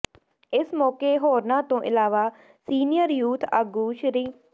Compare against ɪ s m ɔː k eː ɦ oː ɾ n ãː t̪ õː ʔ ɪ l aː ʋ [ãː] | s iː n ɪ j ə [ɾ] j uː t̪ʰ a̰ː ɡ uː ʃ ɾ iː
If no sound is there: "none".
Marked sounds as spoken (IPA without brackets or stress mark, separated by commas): aː, ɾ